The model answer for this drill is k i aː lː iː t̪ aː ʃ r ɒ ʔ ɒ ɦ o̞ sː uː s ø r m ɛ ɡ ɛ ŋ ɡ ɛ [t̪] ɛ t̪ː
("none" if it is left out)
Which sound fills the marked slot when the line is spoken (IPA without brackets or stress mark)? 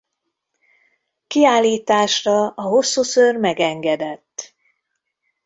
d̪